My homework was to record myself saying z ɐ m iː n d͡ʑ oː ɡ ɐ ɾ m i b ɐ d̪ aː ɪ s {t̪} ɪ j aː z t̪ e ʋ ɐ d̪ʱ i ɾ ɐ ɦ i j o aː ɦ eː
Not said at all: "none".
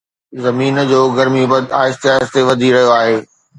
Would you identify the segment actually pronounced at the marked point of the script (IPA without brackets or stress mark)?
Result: t̪